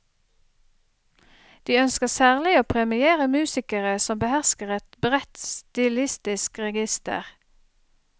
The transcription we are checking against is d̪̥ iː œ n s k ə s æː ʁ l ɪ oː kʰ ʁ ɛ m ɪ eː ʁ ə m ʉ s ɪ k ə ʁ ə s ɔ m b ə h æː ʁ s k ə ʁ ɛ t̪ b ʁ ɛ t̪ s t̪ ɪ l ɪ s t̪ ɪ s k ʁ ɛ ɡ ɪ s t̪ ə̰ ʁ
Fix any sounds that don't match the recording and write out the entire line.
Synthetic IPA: d̪̥ iː œ n s k ə s æː ʁ l ɪ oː pʰ ʁ ɛ m ɪ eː ʁ ə m ʉː s ɪ k ə ʁ ə s ɔ m b ə h æ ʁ s k ə ʁ ɛ t̪ b ʁ ɛ t̪ s t̪ ɪ l ɪ s t̪ ɪ s k ʁ ɛ ɡ ɪ s t̪ ə̰ ʁ